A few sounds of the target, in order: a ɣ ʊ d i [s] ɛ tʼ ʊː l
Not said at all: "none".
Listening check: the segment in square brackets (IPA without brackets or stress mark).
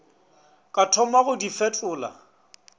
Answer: f